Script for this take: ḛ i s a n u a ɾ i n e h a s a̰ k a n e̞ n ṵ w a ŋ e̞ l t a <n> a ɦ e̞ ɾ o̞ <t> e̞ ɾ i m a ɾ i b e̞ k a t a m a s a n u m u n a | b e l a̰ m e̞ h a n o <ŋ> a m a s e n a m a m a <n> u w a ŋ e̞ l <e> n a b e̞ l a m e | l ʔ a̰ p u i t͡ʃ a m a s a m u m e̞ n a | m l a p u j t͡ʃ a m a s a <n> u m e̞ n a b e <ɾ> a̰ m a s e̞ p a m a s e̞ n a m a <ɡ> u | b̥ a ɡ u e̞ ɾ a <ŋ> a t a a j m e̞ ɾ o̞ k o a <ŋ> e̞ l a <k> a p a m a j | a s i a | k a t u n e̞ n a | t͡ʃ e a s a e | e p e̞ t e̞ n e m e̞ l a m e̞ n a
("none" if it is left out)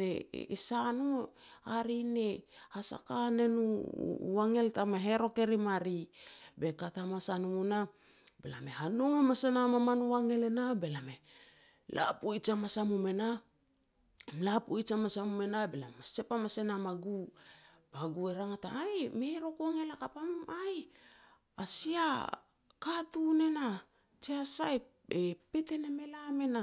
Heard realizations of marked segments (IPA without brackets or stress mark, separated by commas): m, k, ŋ, n, e, m, l, ɡ, ŋ, ŋ, k